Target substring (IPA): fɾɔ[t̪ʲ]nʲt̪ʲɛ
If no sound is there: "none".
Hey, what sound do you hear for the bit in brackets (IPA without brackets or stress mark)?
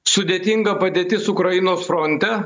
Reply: none